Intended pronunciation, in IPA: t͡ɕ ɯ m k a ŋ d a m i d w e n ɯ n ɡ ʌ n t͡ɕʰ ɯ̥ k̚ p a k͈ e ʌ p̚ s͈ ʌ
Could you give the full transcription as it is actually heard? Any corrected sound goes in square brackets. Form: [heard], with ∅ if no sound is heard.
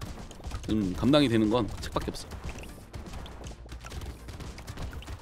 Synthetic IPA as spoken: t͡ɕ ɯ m k a [m] d a [ŋ] i d w e n ɯ n ɡ ʌ n t͡ɕʰ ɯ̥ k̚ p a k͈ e ʌ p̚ s͈ ʌ